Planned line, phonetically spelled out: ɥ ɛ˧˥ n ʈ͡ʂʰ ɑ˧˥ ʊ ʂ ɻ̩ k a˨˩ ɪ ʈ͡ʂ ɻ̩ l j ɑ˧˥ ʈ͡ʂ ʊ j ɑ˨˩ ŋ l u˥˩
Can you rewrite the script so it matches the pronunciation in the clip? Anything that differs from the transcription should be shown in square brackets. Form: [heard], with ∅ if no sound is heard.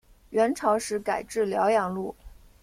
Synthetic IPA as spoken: ɥ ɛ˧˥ n ʈ͡ʂʰ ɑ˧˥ ʊ ʂ ɻ̩ k a˨˩ ɪ ʈ͡ʂ ɻ̩ l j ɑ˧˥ [∅] ʊ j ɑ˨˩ ŋ l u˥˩